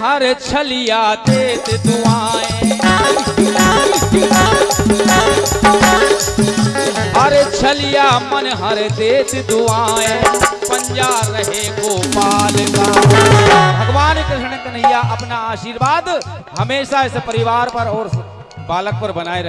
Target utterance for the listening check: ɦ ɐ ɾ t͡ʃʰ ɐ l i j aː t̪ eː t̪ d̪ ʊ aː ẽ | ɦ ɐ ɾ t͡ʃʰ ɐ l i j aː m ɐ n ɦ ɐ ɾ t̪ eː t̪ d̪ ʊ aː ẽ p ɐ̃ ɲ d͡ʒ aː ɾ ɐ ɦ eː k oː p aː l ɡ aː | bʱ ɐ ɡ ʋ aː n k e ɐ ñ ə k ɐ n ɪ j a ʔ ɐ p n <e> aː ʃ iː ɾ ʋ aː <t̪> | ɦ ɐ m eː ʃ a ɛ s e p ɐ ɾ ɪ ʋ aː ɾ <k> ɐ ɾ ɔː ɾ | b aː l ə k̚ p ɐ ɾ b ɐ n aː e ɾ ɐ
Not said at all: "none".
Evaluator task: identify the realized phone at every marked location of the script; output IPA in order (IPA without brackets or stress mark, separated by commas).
a, d̪, p